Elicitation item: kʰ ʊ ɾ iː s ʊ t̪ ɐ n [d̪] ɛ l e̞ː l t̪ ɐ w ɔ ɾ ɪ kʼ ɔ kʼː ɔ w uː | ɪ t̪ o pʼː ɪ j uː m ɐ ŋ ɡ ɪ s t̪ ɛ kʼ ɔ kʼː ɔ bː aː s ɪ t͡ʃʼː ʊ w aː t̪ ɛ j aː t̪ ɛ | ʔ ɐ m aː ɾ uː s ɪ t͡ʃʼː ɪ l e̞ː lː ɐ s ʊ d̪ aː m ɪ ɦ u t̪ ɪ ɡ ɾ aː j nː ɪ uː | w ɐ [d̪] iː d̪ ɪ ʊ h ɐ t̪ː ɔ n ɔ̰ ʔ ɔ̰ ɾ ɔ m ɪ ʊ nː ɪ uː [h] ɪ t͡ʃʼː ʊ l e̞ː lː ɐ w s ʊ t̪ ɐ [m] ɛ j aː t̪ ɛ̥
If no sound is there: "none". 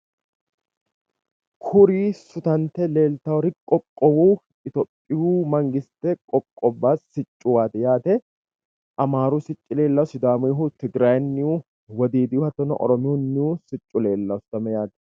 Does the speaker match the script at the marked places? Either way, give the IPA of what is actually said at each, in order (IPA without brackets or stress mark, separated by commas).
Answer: t̪, d̪, s, m